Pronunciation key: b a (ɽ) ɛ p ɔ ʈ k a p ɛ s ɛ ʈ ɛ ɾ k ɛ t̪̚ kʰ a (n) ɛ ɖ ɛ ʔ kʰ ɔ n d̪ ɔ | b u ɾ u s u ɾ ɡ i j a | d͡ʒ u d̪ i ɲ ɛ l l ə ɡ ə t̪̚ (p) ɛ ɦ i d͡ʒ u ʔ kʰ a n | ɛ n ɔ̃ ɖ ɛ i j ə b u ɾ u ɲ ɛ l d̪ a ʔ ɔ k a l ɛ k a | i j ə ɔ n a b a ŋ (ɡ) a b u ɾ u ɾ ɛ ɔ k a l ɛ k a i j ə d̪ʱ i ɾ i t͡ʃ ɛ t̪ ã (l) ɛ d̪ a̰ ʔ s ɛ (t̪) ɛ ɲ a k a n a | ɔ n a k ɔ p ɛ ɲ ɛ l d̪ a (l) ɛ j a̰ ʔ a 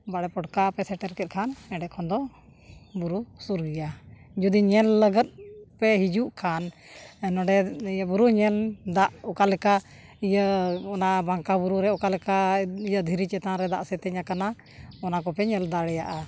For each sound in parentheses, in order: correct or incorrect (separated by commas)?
correct, correct, correct, incorrect, incorrect, correct, incorrect